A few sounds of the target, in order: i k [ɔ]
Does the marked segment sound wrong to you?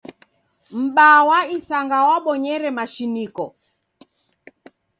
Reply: no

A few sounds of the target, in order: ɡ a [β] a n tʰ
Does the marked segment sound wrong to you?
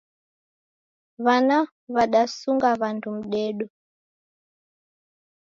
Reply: no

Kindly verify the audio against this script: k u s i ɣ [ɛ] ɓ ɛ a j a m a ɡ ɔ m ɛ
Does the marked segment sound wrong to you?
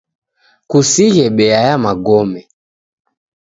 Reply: no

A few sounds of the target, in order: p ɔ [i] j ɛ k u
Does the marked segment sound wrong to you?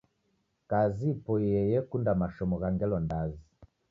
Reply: yes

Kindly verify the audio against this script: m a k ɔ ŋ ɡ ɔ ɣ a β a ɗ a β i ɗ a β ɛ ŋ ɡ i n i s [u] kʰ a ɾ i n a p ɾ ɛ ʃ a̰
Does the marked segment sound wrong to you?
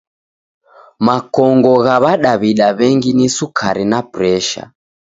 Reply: no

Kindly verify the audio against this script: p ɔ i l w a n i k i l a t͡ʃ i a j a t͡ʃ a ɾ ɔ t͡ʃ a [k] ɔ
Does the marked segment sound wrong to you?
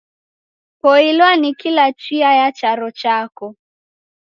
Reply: no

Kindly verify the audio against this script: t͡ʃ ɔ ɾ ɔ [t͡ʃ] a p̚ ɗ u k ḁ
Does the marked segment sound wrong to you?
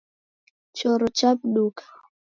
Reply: no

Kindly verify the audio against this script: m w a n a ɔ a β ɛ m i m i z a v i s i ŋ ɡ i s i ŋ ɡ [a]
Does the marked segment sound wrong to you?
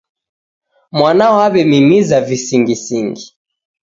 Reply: yes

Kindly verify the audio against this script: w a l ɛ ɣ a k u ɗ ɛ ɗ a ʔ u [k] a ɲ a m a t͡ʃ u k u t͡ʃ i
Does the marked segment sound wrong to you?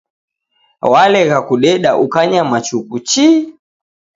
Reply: no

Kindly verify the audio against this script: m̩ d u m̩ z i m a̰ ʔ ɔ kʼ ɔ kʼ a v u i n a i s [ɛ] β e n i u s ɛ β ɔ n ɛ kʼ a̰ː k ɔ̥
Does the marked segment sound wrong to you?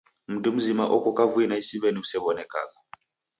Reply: yes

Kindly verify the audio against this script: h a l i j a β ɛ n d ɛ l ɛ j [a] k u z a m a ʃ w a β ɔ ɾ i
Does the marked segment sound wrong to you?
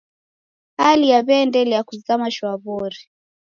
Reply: no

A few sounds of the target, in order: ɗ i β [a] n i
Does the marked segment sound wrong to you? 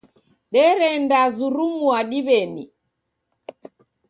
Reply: yes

